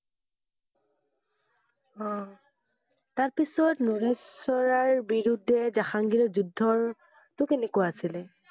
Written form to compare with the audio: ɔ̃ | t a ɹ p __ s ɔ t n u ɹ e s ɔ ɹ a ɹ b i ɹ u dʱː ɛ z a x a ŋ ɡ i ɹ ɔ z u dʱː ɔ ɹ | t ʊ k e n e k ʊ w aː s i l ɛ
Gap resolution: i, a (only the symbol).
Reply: i